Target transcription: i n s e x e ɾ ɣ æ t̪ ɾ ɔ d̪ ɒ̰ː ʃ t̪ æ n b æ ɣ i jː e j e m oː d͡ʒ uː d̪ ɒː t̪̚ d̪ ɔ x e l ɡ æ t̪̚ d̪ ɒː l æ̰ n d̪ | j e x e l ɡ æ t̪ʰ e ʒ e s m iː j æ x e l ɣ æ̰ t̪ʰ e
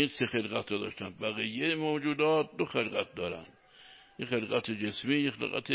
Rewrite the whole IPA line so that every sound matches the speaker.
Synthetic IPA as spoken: i n s e x e l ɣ æ t̪ ɾ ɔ d̪ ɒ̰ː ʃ t̪ æ n b æ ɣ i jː e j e m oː d͡ʒ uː d̪ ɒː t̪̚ d̪ o x e l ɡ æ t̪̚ d̪ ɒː ɾ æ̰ n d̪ | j e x e l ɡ æ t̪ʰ e d͡ʒ e s m iː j e x e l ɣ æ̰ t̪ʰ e